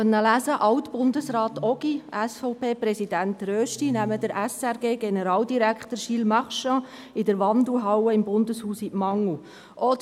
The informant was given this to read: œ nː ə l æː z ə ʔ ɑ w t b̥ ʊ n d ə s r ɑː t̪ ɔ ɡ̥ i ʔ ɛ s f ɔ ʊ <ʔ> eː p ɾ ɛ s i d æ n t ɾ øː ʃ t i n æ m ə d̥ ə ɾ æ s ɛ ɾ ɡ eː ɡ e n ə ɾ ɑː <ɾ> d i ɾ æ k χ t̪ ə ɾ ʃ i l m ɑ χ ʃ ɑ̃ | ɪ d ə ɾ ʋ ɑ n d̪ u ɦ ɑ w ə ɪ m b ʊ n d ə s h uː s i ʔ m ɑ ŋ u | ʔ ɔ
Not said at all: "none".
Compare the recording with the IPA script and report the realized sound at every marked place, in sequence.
p, l

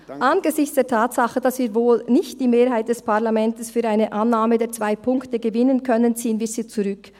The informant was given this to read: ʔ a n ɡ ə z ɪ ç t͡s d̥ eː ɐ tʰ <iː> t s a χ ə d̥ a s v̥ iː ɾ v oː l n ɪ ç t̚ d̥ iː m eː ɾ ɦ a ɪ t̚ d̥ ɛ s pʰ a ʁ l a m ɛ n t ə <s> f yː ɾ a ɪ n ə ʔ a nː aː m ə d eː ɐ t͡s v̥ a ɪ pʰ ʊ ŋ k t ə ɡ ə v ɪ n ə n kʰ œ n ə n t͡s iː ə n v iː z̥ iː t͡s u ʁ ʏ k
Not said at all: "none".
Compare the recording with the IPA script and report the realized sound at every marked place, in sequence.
aː, s

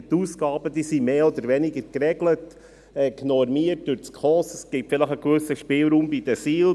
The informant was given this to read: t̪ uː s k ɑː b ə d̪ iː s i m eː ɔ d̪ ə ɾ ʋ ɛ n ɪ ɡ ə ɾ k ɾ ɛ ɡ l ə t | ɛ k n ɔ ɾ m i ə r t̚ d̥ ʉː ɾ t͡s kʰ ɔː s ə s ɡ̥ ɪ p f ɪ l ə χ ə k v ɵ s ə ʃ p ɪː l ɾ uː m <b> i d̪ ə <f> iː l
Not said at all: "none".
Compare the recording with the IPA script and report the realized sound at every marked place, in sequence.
b, s

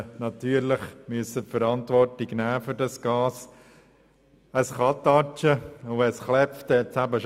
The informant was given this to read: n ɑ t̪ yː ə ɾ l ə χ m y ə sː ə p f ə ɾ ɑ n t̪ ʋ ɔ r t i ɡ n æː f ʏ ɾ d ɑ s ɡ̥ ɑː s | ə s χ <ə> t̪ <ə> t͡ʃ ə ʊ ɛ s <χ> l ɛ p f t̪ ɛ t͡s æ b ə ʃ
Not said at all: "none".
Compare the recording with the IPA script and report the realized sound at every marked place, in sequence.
ɑ, ɑ, χ

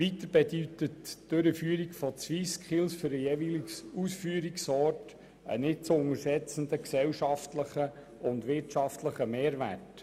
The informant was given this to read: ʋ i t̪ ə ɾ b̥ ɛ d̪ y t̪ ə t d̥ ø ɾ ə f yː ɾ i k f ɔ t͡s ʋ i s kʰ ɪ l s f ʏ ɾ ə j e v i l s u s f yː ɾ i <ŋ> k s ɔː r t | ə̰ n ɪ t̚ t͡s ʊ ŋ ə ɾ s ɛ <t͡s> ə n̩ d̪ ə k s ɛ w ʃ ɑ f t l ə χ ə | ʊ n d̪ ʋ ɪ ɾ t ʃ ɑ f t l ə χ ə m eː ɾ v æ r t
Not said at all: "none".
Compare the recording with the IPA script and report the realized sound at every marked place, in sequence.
none, t͡s

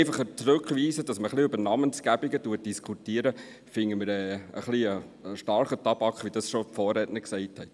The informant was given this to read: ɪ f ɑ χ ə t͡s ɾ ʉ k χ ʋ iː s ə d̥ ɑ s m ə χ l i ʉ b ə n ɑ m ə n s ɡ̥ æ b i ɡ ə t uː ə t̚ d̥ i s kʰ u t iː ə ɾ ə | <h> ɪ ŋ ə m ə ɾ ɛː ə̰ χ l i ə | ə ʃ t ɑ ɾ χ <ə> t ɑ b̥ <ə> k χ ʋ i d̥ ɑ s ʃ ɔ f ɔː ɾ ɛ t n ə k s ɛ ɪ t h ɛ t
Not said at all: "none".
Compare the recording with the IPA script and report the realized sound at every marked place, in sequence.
f, ə, ɑ

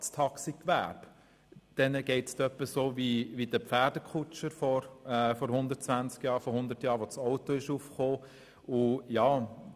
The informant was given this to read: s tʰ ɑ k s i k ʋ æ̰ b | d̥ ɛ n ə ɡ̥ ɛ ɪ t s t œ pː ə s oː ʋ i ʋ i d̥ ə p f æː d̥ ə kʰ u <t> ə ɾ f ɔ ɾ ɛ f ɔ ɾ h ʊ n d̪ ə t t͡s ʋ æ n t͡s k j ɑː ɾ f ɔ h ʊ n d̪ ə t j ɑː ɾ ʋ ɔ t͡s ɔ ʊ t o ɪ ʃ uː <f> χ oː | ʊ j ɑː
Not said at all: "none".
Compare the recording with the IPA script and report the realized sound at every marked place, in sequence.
t͡ʃ, f

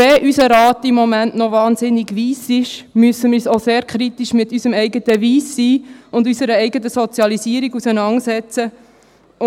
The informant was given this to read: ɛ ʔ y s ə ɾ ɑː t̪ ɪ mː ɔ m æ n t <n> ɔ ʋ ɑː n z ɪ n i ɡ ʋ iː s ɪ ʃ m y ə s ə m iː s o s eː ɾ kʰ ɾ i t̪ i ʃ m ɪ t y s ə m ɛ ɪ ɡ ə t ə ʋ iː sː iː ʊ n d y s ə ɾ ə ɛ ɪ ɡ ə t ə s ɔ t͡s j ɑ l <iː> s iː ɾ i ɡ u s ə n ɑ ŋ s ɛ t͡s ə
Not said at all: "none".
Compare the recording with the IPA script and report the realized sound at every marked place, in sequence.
n, i

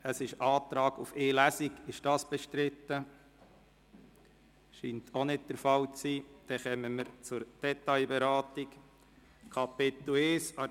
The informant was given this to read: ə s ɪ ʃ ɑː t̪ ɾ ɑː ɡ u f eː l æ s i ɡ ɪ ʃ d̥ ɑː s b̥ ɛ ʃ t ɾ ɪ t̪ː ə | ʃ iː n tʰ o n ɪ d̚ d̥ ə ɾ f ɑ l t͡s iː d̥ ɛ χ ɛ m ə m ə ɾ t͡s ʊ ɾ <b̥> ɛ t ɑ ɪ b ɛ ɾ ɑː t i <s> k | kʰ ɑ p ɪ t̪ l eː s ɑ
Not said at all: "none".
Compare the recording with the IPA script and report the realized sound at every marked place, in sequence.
d̥, none

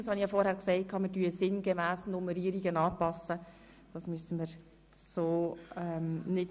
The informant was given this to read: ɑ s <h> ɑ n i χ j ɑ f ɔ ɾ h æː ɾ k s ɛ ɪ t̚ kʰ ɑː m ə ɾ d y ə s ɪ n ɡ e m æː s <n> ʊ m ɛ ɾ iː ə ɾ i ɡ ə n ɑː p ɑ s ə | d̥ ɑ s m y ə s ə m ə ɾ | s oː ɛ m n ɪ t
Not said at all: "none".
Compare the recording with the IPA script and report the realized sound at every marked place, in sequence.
h, n

